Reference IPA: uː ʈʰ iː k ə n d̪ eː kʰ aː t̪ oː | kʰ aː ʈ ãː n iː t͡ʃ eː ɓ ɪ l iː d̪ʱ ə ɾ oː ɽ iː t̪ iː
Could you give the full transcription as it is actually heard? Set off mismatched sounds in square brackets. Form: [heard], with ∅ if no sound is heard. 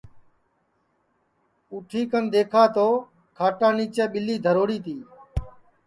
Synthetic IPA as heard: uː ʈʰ iː k ə n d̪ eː kʰ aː t̪ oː | kʰ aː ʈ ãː n iː t͡ʃ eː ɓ ɪ l iː d̪ʱ ə ɾ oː ɽ iː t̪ iː